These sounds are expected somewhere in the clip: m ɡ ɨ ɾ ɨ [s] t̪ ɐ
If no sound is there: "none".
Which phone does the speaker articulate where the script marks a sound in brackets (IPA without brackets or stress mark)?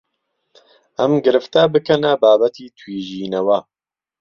f